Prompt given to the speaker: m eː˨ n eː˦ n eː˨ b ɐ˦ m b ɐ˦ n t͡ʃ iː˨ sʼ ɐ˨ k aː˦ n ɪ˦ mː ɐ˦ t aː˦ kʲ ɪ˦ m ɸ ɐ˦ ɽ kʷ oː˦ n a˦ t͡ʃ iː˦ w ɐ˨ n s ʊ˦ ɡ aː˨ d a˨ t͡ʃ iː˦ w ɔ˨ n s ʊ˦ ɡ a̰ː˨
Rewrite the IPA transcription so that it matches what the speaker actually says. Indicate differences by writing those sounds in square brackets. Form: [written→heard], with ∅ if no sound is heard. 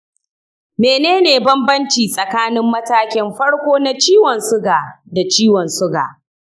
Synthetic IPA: m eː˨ n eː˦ n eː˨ b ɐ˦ m b ɐ˦ n t͡ʃ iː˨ sʼ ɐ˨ k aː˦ n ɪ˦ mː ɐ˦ t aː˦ kʲ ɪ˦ m ɸ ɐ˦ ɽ kʷ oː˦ n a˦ t͡ʃ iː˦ w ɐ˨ n s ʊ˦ ɡ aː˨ d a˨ t͡ʃ iː˦ w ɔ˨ n s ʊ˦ ɡ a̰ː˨